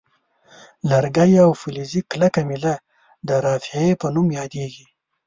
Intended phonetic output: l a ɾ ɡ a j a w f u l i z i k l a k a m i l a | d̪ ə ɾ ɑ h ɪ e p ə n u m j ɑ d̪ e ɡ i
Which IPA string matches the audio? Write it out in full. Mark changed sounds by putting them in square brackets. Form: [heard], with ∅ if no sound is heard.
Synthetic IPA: l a ɾ ɡ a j a w f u l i z i k l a k a m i l a | d̪ ə ɾ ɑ [f] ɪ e p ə n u m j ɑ d̪ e ɡ i